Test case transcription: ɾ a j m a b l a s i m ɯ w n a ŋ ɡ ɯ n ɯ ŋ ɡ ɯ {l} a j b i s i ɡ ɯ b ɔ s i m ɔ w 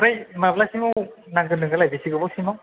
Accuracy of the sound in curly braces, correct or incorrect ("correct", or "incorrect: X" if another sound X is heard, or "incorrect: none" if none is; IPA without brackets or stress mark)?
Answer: correct